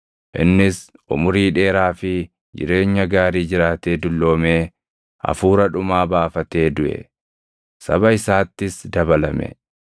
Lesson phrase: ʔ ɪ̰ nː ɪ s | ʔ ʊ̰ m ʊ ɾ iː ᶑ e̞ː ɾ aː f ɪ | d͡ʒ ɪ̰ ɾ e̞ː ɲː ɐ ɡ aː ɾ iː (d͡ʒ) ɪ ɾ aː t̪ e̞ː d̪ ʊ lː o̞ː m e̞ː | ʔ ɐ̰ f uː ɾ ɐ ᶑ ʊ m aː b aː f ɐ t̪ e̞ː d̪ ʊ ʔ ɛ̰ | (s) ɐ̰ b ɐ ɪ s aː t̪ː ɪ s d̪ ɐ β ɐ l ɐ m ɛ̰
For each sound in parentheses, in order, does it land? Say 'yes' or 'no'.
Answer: yes, yes

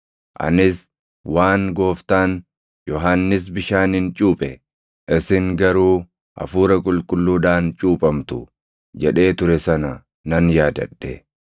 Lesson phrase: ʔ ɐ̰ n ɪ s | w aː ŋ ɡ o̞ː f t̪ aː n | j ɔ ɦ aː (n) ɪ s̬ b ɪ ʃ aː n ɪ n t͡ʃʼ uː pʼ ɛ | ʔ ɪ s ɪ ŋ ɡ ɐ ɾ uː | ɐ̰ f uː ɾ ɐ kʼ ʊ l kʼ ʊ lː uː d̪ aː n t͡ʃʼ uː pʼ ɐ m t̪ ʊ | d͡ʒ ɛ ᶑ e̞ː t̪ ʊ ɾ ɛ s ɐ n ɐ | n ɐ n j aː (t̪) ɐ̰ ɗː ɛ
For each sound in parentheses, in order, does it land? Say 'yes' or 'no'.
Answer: no, no

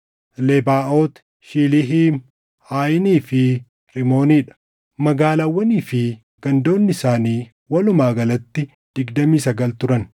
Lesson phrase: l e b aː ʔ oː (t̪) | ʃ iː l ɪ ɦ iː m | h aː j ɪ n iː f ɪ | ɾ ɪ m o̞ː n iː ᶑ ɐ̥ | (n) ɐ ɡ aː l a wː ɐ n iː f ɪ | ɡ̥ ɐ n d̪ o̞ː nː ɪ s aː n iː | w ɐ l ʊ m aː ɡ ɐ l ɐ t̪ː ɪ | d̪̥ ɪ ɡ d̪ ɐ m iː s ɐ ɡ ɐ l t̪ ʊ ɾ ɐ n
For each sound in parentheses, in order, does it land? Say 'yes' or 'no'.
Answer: yes, no

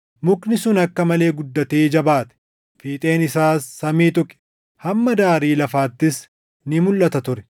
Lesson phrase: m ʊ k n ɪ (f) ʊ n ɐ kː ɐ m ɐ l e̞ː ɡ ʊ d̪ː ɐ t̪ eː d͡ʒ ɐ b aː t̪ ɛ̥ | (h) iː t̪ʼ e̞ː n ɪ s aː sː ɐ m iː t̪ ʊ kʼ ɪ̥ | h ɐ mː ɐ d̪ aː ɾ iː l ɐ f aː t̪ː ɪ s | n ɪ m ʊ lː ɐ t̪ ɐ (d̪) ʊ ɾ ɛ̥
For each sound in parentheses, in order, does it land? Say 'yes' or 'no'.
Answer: no, no, no

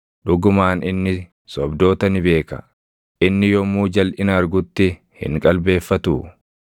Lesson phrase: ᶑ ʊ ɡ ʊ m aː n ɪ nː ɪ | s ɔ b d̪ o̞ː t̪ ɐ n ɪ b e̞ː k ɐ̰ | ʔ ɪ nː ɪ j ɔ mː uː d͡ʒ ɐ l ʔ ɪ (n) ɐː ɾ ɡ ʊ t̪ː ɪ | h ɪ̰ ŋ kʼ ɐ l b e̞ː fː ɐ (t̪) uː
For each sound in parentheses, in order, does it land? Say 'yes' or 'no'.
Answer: yes, yes

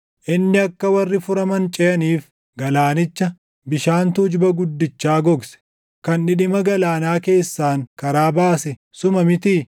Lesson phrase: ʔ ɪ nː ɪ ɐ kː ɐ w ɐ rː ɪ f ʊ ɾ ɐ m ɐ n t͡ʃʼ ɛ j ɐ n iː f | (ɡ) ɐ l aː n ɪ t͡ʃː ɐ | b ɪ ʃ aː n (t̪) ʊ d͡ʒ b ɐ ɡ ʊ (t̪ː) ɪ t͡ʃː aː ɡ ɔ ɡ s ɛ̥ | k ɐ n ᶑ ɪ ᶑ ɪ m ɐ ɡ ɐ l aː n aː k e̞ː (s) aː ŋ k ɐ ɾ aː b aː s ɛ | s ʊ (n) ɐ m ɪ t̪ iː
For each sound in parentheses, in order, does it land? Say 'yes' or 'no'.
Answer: yes, yes, no, no, no

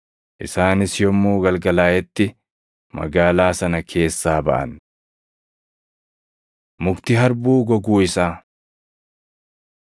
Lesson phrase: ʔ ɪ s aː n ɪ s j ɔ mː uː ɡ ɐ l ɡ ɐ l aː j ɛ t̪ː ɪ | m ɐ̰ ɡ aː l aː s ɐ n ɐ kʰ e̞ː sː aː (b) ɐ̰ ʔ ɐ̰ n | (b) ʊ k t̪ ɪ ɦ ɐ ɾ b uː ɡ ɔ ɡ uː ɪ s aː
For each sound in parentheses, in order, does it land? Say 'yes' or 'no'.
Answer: yes, no

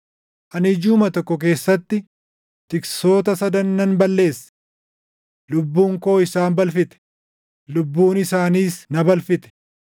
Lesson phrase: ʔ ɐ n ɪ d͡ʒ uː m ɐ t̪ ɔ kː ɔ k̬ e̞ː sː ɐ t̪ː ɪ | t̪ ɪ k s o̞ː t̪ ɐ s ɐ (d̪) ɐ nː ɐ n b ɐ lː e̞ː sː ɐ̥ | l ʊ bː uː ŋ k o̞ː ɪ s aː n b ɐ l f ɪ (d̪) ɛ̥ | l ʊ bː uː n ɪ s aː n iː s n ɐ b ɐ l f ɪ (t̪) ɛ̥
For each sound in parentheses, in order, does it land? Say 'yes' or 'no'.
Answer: yes, no, yes

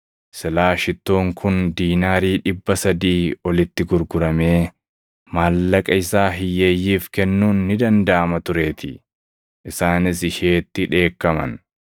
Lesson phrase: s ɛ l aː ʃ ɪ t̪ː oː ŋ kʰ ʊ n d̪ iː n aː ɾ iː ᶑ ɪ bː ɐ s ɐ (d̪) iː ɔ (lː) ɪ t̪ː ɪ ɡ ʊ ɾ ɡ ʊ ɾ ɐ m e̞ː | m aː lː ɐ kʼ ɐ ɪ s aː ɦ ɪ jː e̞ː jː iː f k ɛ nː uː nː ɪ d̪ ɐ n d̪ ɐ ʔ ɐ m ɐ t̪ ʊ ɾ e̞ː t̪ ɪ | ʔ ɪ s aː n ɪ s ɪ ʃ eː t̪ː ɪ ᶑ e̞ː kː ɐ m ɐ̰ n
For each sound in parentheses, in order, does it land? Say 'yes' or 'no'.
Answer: yes, no

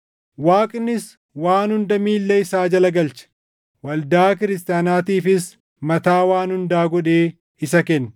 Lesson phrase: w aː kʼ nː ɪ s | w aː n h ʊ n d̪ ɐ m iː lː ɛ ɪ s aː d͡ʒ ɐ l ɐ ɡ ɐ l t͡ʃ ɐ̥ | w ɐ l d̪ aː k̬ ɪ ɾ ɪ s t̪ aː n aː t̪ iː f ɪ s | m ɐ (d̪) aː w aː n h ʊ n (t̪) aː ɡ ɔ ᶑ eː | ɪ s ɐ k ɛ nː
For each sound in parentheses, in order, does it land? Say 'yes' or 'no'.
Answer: no, no

